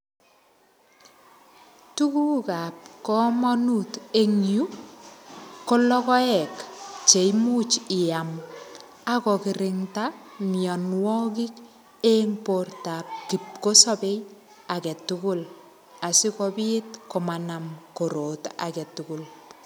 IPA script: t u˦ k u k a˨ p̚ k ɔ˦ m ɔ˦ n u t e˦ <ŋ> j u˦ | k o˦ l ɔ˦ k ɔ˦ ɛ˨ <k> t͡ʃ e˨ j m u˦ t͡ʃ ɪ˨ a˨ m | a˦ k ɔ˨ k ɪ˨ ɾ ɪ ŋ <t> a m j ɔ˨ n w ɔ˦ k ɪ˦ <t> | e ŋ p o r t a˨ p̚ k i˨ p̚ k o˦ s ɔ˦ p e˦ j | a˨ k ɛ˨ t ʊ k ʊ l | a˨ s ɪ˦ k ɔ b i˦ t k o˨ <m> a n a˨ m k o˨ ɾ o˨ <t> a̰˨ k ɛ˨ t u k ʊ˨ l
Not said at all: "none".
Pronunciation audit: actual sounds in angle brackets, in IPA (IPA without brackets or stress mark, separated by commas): ŋ, k, t, k, m, t